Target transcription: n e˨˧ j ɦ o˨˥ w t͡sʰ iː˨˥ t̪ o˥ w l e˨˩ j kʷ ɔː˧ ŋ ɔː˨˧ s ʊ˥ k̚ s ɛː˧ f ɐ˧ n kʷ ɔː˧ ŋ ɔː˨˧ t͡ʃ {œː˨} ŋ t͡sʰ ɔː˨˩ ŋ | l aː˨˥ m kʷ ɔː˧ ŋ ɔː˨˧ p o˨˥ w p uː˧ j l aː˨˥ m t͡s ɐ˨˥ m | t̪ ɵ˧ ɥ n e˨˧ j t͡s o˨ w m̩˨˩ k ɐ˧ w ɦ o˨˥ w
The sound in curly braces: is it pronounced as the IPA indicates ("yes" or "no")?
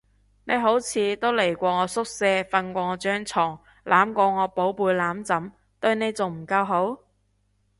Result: no